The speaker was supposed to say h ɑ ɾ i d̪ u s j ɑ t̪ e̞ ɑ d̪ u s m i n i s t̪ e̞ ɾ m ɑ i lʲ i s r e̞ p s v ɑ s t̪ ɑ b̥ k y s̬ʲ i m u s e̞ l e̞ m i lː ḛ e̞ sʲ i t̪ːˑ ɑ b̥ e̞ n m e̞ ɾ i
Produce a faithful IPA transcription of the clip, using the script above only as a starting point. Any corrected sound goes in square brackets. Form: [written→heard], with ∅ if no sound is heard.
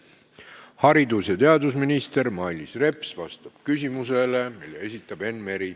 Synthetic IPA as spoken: h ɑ ɾ i d̪ u s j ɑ t̪ e̞ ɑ d̪ u s m i n i s t̪ e̞ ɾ m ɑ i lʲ i s r e̞ p s v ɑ s t̪ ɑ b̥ k y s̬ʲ i m u s e̞ l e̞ m i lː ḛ e̞ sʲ i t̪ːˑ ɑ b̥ e̞ n m e̞ ɾ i